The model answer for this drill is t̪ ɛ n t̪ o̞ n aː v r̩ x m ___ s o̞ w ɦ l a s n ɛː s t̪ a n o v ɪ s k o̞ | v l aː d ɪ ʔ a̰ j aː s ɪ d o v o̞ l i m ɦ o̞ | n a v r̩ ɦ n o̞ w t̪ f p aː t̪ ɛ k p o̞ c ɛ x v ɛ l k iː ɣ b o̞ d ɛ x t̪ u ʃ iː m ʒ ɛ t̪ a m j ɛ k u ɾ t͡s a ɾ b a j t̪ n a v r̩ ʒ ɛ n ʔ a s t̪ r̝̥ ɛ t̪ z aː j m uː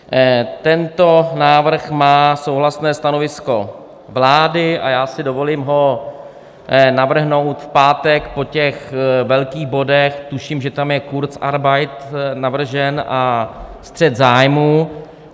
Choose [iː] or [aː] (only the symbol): aː